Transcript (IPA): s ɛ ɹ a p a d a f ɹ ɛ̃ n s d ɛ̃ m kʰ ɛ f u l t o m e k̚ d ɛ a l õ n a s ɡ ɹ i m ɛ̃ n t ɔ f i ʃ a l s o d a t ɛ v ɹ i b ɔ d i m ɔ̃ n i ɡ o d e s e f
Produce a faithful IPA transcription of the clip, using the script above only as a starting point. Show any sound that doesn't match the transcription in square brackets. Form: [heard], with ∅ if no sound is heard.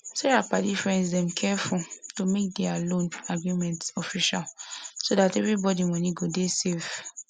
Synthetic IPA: s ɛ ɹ a p a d [i] f ɹ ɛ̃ n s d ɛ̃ m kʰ ɛ f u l t o m e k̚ d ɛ a l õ n a [∅] ɡ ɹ i m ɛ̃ n t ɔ f i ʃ a l s o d a t ɛ v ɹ i b ɔ d i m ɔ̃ n i ɡ o d e s e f